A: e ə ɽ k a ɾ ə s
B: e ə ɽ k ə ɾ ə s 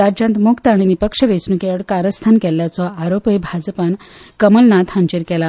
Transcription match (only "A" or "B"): A